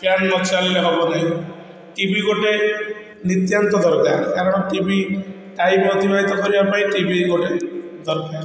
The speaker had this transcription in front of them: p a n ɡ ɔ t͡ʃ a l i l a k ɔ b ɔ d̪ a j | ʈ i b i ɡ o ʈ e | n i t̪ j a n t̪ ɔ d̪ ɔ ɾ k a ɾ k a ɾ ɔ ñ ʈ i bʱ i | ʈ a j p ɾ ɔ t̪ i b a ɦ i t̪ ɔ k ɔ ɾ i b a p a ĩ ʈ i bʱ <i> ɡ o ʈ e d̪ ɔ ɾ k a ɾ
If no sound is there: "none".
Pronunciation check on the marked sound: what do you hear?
i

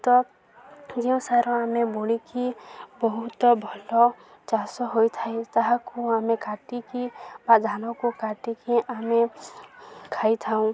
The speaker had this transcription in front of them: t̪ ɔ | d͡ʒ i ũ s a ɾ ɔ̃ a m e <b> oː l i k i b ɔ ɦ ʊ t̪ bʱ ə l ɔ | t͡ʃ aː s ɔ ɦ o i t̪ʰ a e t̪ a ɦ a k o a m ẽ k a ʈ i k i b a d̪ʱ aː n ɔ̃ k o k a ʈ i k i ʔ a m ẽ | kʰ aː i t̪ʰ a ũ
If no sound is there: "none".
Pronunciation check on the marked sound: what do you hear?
b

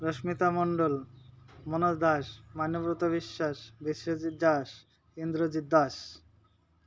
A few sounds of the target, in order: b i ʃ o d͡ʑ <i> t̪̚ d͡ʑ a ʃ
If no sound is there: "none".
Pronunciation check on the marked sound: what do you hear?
i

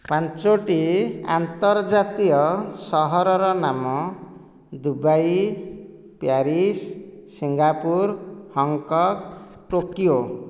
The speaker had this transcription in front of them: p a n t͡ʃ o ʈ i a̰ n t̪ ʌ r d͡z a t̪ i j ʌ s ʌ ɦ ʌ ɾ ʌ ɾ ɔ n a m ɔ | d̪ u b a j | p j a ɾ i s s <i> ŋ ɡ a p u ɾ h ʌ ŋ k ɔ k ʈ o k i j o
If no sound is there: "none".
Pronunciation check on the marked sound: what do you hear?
i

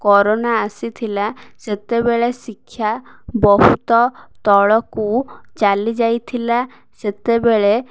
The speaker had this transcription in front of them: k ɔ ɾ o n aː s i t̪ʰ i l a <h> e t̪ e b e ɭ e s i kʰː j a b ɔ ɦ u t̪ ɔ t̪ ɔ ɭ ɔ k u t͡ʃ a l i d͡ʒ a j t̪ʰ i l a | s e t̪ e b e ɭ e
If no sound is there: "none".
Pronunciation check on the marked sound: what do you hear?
s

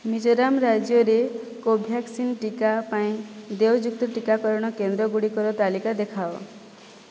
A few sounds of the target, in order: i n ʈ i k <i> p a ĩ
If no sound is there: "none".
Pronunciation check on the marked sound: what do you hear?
a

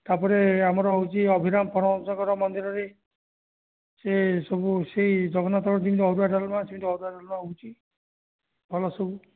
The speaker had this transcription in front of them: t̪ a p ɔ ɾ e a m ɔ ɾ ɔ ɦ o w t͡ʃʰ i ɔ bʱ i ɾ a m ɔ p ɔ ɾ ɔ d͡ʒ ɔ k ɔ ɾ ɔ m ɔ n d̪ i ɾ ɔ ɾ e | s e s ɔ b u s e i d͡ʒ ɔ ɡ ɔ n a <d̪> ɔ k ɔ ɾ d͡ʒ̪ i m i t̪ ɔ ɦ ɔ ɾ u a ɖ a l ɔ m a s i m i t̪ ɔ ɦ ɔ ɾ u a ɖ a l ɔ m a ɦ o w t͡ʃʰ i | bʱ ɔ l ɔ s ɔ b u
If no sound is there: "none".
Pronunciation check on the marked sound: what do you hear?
t̪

